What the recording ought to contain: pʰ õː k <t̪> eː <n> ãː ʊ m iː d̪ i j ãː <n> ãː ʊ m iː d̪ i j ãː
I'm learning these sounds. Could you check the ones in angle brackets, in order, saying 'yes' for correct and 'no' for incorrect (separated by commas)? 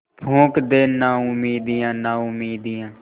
no, yes, yes